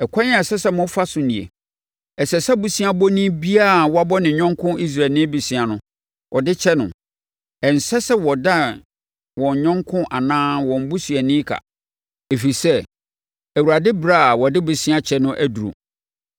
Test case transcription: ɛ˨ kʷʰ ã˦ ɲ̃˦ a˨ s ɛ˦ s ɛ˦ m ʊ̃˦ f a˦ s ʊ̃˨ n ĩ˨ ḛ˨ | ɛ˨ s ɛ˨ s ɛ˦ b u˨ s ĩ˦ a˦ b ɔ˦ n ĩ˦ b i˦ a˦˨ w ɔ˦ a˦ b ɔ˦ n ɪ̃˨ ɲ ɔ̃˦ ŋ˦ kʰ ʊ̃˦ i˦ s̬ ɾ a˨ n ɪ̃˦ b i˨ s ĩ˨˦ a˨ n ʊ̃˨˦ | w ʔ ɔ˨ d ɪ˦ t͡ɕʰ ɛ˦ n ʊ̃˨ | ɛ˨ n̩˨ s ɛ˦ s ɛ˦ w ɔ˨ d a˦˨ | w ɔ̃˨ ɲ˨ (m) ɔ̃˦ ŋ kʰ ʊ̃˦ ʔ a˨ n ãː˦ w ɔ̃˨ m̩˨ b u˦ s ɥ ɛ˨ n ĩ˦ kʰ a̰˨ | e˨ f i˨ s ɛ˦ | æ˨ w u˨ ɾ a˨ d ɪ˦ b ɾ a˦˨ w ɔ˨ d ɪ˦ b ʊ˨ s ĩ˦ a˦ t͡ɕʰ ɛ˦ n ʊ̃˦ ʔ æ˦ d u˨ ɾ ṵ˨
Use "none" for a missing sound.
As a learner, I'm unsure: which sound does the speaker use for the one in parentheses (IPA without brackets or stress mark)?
ɲ